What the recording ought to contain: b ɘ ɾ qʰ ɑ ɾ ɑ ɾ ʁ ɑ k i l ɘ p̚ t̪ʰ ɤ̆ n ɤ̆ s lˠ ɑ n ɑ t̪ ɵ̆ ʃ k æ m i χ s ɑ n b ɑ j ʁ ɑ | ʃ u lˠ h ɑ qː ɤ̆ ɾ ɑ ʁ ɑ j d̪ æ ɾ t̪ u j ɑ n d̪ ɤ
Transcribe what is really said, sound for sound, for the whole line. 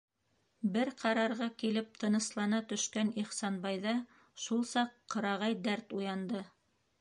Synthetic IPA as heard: b ɘ ɾ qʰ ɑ ɾ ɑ ɾ ʁ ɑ k i l ɘ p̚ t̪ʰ ɤ̆ n ɤ̆ s lˠ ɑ n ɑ t̪ ɵ̆ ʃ k æ n i χ s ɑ n b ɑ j ð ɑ | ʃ u lˠ s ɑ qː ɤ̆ ɾ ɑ ʁ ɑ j d̪ æ ɾ t̪ u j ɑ n d̪ ɤ